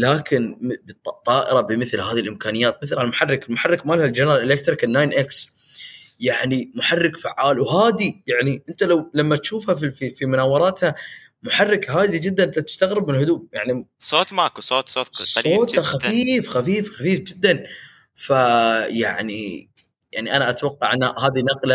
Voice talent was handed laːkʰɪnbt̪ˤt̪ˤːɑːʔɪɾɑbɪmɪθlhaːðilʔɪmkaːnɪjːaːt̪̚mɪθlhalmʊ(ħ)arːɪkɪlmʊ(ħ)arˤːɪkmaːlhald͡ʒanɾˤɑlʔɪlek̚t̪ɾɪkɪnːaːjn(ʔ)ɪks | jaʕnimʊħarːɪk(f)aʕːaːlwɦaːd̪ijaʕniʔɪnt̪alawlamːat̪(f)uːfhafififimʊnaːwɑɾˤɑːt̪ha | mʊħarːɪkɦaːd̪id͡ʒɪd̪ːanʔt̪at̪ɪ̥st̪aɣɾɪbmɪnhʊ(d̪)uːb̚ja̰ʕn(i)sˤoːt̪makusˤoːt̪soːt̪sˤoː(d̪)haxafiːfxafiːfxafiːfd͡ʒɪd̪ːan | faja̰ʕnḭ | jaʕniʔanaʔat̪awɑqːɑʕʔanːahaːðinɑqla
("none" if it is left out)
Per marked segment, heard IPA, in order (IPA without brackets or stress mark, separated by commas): ħ, ħ, ʔ, f, ʃ, d̪, i, t̪